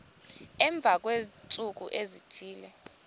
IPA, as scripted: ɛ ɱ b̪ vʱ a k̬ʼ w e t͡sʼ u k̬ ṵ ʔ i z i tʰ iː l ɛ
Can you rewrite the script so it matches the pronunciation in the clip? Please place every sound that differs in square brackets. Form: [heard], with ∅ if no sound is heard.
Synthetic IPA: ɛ ɱ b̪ vʱ a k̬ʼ w e t͡sʼ u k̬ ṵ ʔ [e] z i tʰ iː l ɛ